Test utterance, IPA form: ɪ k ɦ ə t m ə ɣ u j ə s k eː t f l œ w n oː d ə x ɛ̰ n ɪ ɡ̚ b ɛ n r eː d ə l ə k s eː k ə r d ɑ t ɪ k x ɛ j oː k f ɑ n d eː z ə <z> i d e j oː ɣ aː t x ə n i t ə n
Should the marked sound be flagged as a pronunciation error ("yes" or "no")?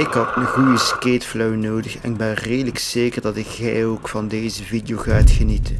yes